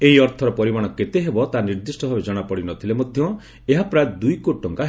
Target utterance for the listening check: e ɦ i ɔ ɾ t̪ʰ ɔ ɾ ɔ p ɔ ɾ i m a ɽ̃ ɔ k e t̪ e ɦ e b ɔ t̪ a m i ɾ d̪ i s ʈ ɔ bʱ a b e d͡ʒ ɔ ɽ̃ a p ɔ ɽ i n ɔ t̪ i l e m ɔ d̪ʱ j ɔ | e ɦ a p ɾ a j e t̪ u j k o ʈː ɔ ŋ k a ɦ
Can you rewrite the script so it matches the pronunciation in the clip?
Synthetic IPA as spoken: e ɦ i ɔ ɾ t̪ʰ ɔ ɾ ɔ p ɔ ɾ i m a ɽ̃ ɔ k e t̪ e ɦ e b ɔ t̪ a n i ɾ d̪ i s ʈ ɔ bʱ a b e d͡ʒ ɔ ɽ̃ a p ɔ ɽ i n ɔ t̪ʰ i l e m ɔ d̪ʱ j ɔ | e ɦ a p ɾ a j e d̪ u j k o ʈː ɔ ŋ k a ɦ